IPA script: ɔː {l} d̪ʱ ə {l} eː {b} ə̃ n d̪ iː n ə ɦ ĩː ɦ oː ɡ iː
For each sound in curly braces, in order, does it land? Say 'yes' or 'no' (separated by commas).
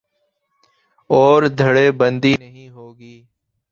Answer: no, no, yes